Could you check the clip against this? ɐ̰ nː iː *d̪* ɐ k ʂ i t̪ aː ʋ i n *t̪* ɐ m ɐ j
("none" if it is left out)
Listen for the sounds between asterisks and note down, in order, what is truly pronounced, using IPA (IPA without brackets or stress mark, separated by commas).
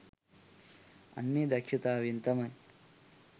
d̪, t̪